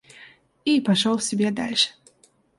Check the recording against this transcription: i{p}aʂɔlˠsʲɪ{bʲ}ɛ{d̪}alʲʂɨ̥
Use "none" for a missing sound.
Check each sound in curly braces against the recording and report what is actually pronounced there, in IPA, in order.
p, bʲ, d̪

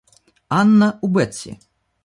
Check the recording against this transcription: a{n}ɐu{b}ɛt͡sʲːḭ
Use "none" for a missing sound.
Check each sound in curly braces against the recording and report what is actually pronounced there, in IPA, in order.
nː, b

